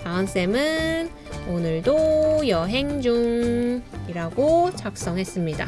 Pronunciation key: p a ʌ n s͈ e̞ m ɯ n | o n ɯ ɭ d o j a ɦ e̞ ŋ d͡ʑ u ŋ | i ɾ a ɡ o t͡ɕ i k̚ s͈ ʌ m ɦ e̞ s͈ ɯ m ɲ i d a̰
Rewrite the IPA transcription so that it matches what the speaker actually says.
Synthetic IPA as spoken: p a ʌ n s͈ e̞ m ɯ n | o n ɯ ɭ d o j ʌ ɦ e̞ ŋ d͡ʑ u ŋ | i ɾ a ɡ o t͡ɕ a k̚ s͈ ʌ ŋ ɦ e̞ s͈ ɯ m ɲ i d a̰